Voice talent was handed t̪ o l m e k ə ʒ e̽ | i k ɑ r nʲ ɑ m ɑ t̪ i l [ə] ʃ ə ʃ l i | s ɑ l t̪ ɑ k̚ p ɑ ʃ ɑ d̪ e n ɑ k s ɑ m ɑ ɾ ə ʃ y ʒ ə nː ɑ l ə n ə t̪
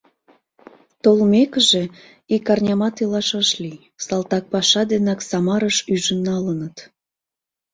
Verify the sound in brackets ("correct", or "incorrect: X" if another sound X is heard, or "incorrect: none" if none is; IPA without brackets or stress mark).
incorrect: ɑ